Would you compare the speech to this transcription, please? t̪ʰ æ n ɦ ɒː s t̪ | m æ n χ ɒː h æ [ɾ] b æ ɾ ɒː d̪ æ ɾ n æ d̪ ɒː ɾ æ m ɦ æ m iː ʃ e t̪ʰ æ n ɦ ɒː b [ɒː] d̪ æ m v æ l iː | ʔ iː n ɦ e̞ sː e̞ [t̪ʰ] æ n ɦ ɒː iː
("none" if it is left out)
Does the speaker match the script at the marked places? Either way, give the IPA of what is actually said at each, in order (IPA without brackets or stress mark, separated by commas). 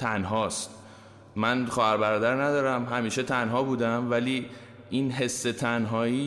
ɾ, uː, t̪ʰ